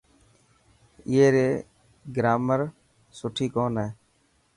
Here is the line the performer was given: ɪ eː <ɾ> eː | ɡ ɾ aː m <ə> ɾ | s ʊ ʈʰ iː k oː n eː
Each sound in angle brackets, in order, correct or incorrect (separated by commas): correct, correct